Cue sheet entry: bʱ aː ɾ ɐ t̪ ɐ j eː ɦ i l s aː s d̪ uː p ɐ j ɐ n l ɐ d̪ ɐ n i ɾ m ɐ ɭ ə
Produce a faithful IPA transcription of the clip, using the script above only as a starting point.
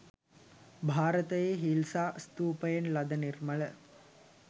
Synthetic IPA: bʱ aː ɾ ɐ t̪ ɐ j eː ɦ i l s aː s t̪ uː p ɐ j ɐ n l ɐ d̪ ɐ n i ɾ m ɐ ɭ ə